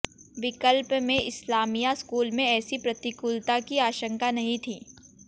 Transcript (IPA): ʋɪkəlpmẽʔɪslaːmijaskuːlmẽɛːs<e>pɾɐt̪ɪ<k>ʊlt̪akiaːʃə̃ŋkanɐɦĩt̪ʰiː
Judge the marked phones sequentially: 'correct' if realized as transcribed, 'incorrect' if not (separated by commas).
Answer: incorrect, correct